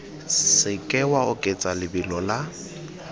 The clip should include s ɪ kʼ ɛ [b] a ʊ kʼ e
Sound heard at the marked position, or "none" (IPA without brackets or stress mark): w